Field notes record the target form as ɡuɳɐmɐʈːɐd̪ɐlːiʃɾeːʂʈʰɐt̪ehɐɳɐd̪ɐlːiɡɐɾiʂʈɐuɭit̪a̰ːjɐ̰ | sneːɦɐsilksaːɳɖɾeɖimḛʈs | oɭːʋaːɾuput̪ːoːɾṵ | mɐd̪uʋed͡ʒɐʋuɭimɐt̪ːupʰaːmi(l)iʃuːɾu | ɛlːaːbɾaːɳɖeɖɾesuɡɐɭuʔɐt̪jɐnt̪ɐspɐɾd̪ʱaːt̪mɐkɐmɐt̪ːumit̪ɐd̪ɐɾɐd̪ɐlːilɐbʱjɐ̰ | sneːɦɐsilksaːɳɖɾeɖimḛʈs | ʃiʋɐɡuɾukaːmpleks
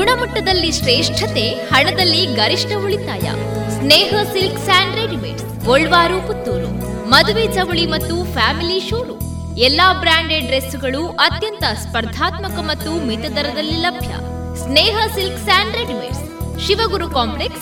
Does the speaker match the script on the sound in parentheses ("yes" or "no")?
yes